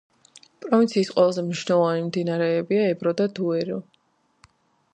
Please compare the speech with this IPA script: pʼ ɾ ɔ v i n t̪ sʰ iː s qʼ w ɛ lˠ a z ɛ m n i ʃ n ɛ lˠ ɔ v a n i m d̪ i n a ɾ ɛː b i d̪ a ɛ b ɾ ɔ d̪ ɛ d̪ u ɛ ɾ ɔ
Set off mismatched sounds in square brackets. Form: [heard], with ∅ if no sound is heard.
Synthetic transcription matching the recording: pʼ ɾ ɔ v i n t̪ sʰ iː s qʼ w ɛ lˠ a z ɛ m n i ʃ n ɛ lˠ ɔ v a n i m d̪ i n a ɾ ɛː b i [∅] a ɛ b ɾ ɔ d̪ [a] d̪ u ɛ ɾ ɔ